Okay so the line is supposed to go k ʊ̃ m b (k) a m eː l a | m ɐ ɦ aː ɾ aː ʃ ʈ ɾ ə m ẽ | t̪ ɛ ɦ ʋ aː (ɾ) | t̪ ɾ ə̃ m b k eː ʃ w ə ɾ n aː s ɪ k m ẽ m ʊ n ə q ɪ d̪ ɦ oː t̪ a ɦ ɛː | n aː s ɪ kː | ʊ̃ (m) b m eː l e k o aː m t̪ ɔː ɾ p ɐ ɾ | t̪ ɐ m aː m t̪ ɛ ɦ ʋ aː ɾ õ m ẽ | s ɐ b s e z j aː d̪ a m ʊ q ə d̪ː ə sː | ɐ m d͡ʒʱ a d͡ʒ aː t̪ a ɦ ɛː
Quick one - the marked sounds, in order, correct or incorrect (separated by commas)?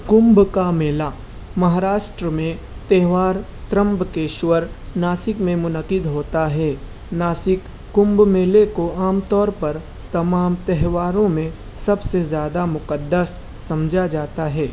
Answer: correct, correct, correct